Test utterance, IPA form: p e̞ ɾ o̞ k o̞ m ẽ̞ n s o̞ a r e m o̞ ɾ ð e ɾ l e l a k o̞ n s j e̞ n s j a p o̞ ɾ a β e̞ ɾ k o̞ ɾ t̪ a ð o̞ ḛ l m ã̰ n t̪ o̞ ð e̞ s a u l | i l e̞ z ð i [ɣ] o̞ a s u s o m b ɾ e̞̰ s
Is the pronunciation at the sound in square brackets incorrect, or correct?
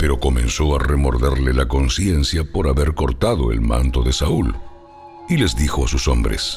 incorrect